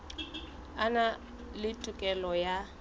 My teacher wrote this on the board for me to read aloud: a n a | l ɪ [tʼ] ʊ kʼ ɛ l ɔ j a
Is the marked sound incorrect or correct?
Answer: correct